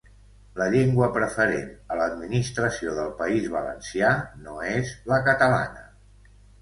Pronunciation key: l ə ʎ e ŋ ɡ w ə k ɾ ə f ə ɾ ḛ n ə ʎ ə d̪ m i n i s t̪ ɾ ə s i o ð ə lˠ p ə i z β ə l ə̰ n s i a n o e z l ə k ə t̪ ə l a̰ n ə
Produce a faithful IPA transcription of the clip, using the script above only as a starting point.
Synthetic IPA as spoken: l ə ʎ e ŋ ɡ w ə p ɾ ə f ə ɾ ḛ n ə l ə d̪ m i n i s t̪ ɾ ə s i o ð ə lˠ p ə i z β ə l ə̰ n s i a n o e z l ə k ə t̪ ə l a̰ n ə